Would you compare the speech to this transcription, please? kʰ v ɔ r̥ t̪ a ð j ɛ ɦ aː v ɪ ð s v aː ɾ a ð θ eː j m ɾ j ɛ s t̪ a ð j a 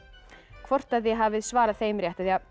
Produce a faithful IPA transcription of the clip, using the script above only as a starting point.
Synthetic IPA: kʰ v ɔ r̥ t̪ a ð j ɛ ɦ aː v ɪ ð s v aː ɾ a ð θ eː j m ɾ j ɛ h t̪ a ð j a